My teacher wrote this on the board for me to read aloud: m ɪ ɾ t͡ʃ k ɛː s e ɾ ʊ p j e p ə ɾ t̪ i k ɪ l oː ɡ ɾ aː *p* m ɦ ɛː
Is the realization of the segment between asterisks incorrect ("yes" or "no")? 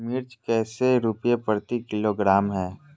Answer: yes